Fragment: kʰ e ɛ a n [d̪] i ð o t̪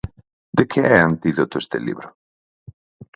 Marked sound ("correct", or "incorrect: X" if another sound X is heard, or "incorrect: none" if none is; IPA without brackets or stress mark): incorrect: t̪